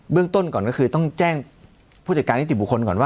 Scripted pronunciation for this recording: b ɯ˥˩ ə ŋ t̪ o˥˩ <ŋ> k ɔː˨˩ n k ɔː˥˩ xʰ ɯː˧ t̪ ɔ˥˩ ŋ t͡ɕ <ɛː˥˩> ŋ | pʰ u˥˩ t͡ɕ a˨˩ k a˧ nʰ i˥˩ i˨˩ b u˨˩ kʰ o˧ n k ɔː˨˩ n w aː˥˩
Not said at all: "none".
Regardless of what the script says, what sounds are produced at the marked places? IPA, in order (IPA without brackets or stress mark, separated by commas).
n, ɛː˥˩